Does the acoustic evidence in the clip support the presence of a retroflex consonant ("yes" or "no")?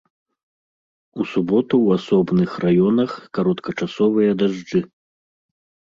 yes